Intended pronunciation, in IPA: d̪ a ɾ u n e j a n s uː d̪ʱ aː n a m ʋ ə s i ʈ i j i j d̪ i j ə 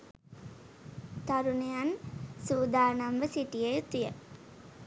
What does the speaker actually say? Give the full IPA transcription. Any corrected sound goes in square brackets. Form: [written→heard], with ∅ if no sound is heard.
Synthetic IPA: [d̪→t̪] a ɾ u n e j a n s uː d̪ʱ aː n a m ʋ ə s i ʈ i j [i→e] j [d̪→t̪] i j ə